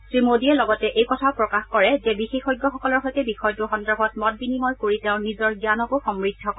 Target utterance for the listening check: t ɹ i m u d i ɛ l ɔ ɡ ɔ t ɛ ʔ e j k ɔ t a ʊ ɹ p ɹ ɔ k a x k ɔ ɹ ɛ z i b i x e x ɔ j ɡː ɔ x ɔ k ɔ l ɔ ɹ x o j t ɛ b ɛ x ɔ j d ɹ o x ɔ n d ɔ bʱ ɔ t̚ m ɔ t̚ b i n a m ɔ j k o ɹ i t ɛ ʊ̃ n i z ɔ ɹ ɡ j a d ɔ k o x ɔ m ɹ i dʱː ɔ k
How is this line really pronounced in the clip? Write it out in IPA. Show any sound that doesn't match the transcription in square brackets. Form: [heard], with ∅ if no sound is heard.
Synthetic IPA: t ɹ i m [o] d i ɛ l ɔ ɡ ɔ t ɛ ʔ e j k ɔ [tʰ] a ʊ [∅] p ɹ ɔ k a x k ɔ ɹ ɛ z [ɛ] b i x e x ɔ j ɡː ɔ x ɔ k ɔ l ɔ ɹ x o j t ɛ b [i] x ɔ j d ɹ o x ɔ n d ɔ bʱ ɔ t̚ m ɔ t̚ b i n [i] m ɔ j k o ɹ i t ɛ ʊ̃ n i z ɔ ɹ ɡ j a [n] ɔ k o x ɔ m ɹ i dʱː ɔ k